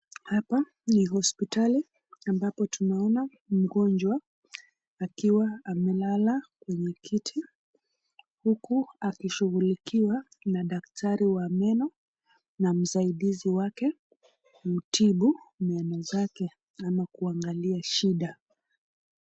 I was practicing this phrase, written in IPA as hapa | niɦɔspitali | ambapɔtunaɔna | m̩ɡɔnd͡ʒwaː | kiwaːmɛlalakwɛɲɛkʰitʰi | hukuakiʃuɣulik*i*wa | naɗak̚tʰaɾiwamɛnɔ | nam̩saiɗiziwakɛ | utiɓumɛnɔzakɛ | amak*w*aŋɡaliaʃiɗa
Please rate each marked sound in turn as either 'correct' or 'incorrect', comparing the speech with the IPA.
correct, incorrect

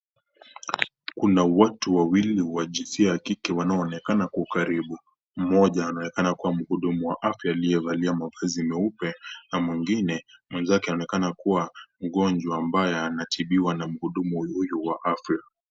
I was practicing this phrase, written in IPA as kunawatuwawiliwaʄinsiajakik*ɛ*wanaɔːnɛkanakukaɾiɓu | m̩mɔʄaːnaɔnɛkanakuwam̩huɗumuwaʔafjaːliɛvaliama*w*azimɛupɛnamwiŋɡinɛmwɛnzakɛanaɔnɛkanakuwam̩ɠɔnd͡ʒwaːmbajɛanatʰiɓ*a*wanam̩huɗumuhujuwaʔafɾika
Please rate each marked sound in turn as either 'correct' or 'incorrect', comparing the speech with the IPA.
correct, incorrect, incorrect

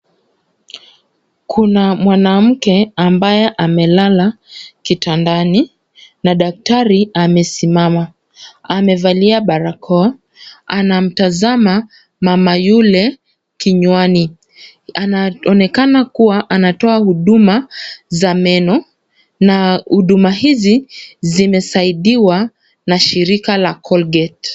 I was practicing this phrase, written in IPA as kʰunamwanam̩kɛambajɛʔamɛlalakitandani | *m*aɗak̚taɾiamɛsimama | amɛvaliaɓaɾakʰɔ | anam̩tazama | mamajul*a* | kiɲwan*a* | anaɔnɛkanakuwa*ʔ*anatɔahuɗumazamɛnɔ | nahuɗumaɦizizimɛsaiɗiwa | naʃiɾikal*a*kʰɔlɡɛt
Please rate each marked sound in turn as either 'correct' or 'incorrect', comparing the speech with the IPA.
incorrect, incorrect, incorrect, correct, correct

